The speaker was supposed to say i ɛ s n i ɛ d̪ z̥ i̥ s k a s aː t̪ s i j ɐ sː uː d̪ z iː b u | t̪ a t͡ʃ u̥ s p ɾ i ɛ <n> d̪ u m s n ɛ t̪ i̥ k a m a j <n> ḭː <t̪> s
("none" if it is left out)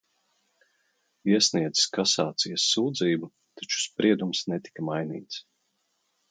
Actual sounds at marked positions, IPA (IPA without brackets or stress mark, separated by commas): none, n, t̪